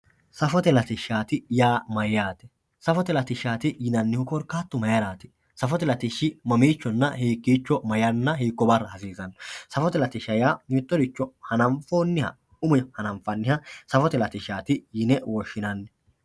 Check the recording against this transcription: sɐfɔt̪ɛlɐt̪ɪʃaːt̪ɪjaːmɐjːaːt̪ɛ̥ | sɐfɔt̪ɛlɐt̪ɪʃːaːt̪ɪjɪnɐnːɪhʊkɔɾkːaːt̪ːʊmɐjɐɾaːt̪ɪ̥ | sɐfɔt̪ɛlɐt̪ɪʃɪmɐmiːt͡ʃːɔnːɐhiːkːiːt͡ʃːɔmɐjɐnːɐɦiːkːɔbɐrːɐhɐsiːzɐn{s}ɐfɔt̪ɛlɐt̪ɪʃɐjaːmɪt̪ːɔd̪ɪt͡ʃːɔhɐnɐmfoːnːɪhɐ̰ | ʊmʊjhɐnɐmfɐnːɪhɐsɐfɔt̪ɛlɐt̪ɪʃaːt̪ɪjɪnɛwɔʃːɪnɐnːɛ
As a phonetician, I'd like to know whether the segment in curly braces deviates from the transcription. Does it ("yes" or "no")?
no